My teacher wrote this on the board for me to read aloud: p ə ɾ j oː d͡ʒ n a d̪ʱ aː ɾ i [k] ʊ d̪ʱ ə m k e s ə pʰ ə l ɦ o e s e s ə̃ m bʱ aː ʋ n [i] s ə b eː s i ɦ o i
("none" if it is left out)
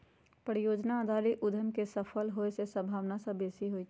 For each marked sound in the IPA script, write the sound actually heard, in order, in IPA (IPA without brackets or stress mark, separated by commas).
ʔ, a